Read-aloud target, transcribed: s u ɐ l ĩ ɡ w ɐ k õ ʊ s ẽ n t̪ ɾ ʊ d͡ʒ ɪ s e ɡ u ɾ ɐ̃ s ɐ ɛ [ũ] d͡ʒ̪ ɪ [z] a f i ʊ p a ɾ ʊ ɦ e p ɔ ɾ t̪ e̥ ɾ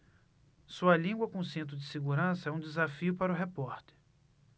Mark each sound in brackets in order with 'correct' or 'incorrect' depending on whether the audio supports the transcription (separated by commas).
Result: correct, correct